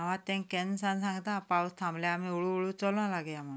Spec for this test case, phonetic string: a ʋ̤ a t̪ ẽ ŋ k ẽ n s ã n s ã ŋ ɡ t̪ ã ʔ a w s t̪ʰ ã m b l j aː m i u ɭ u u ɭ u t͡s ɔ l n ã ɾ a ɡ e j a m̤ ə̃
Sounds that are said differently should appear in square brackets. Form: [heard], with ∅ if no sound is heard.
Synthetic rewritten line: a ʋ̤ a t̪ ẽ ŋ k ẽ n s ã n s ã ŋ ɡ t̪ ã [p] a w s t̪ʰ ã m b l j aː m i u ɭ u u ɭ u t͡s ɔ l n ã [l] a ɡ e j a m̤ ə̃